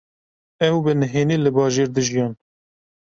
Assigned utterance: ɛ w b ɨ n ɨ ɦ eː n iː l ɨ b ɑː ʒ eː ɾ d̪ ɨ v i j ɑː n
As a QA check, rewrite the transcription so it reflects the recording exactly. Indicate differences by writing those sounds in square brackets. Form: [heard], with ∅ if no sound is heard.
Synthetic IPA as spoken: ɛ w b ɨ n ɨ ɦ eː n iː l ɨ b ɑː ʒ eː ɾ d̪ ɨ [ʒ] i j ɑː n